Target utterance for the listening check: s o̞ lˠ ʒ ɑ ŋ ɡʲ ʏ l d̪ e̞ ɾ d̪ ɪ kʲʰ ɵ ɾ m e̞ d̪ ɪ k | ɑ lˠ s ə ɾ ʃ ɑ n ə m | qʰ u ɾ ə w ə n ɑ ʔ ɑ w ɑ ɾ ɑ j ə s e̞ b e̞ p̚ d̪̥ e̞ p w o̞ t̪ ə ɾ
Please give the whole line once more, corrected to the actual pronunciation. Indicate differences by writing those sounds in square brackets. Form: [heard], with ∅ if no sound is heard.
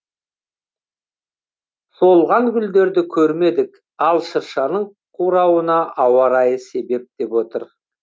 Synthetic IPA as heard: s o̞ lˠ [ʁ] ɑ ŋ ɡʲ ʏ l d̪ e̞ ɾ d̪ ɪ kʲʰ ɵ ɾ m e̞ d̪ ɪ k | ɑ lˠ [ʃ] ə ɾ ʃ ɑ n ə [ɴ] | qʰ u ɾ [ɑ] w ə n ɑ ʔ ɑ w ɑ ɾ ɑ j ə s e̞ b e̞ p̚ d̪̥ e̞ p w o̞ t̪ ə ɾ